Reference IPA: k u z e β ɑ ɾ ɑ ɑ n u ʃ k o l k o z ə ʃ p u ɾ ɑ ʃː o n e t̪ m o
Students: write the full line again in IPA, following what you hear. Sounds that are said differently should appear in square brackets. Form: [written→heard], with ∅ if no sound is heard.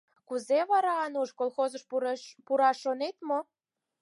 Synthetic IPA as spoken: k u z e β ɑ ɾ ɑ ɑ n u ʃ k o l [k→x] o z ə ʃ p u ɾ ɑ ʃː o n e t̪ m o